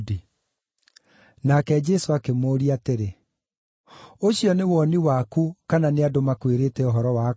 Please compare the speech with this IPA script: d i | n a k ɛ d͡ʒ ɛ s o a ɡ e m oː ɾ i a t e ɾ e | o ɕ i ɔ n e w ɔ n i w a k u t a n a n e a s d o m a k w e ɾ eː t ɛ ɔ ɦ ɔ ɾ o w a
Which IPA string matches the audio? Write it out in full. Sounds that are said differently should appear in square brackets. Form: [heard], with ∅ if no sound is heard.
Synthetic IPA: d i | n a k ɛ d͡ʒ ɛ s o a [k] e m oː ɾ i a t e ɾ e | o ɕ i ɔ n e w ɔ n i w a k u [k] a n a n e a [∅] d o m a k w e ɾ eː t ɛ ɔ ɦ ɔ ɾ [ɔ] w a